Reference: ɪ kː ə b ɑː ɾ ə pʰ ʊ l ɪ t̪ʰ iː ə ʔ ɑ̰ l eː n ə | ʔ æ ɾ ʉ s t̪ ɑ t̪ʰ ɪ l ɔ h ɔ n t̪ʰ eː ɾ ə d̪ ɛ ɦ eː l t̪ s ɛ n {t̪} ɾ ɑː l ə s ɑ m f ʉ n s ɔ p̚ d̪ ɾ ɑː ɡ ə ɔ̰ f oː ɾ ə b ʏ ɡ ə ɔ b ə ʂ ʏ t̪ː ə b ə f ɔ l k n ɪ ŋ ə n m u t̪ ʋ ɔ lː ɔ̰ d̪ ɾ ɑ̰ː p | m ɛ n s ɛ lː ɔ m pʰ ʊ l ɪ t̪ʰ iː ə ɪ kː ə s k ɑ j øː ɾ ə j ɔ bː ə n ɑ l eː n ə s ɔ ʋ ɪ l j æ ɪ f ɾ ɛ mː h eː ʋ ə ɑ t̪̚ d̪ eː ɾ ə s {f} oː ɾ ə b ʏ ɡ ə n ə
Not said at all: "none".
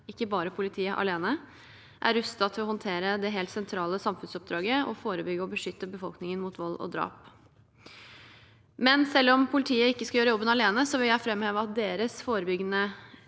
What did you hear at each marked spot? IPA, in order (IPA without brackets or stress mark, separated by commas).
t̪ʰ, f